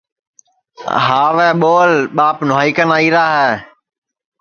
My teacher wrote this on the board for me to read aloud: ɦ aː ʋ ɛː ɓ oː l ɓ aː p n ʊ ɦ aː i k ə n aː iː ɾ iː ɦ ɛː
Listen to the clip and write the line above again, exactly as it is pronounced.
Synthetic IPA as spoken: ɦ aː ʋ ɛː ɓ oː l ɓ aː p n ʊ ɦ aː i k ə n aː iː ɾ aː ɦ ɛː